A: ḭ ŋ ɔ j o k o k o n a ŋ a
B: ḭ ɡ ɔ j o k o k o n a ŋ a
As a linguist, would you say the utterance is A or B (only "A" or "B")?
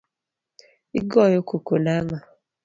B